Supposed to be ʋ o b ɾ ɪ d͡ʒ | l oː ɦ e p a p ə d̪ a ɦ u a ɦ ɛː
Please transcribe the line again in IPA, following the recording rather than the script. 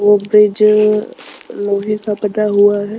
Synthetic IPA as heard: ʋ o b ɾ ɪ d͡ʒ | l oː ɦ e k a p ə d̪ a ɦ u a ɦ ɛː